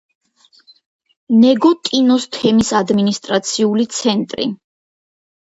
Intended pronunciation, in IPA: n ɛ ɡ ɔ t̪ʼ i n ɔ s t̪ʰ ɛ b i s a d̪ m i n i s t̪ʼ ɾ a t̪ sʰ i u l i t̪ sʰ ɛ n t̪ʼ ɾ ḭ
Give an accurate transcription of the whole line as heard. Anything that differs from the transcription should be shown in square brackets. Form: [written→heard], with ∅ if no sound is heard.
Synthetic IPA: n ɛ ɡ ɔ t̪ʼ i n ɔ s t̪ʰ ɛ [b→m] i s a d̪ m i n i s t̪ʼ ɾ a t̪ sʰ i u l i t̪ sʰ ɛ n t̪ʼ ɾ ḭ